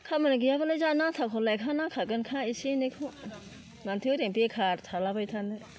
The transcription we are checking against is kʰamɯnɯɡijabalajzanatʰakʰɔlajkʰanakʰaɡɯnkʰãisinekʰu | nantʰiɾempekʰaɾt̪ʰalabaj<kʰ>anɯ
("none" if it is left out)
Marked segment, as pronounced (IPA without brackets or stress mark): tʰ